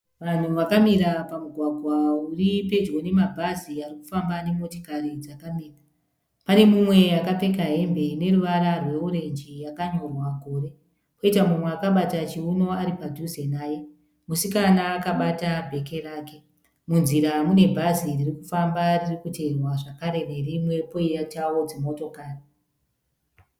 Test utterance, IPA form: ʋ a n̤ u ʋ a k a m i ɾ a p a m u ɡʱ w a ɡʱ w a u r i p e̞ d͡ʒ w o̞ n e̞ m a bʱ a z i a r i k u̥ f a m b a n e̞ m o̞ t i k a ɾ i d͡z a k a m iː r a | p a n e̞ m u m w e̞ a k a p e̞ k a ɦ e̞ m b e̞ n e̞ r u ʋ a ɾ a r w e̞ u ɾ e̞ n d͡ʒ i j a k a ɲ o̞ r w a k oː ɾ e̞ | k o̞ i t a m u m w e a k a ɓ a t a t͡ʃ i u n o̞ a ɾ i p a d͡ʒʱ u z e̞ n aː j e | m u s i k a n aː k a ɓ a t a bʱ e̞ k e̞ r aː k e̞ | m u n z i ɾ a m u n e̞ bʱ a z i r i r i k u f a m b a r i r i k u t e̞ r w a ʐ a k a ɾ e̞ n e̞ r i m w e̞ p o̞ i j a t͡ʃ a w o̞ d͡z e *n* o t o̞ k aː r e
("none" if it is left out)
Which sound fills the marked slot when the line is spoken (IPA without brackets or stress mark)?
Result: m